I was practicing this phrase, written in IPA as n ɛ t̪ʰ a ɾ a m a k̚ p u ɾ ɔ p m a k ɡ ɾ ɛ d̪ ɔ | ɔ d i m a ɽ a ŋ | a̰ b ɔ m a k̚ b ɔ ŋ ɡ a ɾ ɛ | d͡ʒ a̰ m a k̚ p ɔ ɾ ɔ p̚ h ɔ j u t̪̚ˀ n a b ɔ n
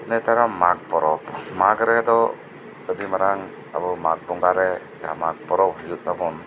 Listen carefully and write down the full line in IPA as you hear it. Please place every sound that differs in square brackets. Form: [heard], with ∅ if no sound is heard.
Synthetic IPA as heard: n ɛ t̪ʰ a ɾ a m a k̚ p [ɔ] ɾ ɔ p m a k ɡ ɾ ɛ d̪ ɔ | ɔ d i m a [ɾ] a ŋ | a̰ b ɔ m a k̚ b ɔ ŋ ɡ a ɾ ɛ | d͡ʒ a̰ m a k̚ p ɔ ɾ ɔ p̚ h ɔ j u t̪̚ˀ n a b ɔ n